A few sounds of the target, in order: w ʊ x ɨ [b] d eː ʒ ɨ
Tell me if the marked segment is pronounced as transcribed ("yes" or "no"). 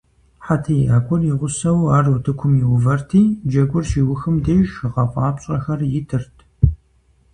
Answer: no